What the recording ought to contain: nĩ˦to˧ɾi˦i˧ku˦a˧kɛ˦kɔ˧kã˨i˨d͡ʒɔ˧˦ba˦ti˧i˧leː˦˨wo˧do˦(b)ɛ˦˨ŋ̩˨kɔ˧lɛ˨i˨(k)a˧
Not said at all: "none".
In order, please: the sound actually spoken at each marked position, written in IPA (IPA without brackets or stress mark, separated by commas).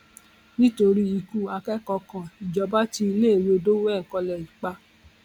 w, k͡p